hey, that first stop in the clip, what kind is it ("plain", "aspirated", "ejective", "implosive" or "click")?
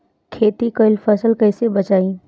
aspirated